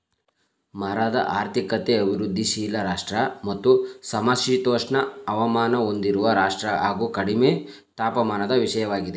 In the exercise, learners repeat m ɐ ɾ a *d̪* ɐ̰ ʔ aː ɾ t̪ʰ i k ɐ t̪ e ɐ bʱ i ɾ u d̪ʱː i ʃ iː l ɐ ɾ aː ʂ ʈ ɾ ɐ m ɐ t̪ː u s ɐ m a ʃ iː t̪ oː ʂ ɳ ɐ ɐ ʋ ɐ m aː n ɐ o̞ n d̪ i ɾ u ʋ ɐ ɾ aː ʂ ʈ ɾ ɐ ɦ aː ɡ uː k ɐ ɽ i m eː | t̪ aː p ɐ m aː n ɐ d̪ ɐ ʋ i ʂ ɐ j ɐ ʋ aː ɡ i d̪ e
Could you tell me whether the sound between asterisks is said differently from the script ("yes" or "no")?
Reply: no